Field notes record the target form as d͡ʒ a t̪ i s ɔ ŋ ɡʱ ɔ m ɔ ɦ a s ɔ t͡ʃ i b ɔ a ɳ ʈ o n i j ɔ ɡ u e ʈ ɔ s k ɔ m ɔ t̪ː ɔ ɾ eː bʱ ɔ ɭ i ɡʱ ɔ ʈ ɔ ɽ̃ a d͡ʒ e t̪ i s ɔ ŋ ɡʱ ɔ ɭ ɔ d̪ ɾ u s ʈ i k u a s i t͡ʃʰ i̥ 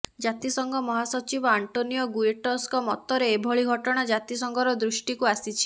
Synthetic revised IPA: d͡ʒ a t̪ i s ɔ ŋ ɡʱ ɔ m ɔ ɦ a s ɔ t͡ʃ i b ɔ a ɳ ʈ o n i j ɔ ɡ u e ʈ ɔ s k ɔ m ɔ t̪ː ɔ ɾ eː bʱ ɔ ɭ i ɡʱ ɔ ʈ ɔ ɽ̃ a d͡ʒ a t̪ i s ɔ ŋ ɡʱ ɔ ɾ ɔ d̪ ɾ u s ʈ i k u a s i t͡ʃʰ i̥